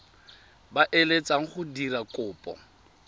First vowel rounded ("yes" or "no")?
no